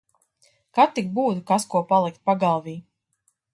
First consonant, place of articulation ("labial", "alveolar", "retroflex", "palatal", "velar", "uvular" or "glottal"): velar